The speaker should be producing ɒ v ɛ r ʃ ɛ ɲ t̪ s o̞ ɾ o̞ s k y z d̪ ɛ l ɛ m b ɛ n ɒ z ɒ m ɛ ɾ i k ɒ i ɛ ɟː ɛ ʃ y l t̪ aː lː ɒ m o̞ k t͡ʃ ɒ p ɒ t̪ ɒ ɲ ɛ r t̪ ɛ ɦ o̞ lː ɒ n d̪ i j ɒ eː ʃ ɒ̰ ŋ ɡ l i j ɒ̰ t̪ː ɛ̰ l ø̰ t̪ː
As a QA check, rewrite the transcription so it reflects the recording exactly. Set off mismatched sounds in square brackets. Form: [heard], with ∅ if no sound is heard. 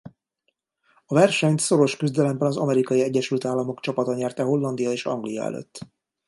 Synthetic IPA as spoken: ɒ v ɛ r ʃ ɛ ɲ t̪ s o̞ ɾ o̞ [ʃ] k y z d̪ ɛ l ɛ m b ɛ n ɒ z ɒ m ɛ ɾ i k ɒ i ɛ ɟː ɛ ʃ y l t̪ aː lː ɒ m o̞ k t͡ʃ ɒ p ɒ t̪ ɒ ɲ ɛ r t̪ ɛ ɦ o̞ lː ɒ n d̪ i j ɒ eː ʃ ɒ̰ ŋ ɡ l i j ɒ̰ [∅] ɛ̰ l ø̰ t̪ː